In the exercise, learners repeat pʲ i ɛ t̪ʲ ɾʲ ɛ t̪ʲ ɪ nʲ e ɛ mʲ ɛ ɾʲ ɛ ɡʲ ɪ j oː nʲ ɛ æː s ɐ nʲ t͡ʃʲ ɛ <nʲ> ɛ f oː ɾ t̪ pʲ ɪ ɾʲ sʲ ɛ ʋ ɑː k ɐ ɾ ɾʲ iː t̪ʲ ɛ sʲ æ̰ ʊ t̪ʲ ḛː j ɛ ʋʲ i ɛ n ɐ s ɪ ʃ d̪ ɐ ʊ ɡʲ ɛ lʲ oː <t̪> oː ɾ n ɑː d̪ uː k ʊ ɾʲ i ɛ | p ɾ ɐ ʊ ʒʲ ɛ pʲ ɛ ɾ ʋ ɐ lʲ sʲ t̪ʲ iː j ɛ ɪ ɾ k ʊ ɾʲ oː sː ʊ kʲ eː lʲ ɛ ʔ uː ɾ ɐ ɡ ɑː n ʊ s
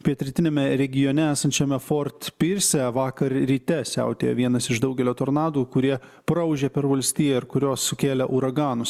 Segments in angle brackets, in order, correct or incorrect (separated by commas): incorrect, correct